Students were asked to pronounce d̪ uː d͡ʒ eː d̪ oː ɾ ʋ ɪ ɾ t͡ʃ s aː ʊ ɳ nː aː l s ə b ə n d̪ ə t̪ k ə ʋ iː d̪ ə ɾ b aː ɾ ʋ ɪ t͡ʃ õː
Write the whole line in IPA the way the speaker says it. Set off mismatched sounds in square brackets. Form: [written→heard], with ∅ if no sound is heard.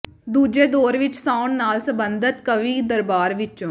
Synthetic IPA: d̪ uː d͡ʒ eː d̪ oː ɾ ʋ ɪ [ɾ→∅] t͡ʃ s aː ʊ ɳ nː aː l s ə b ə n d̪ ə t̪ k ə ʋ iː d̪ ə ɾ b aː ɾ ʋ ɪ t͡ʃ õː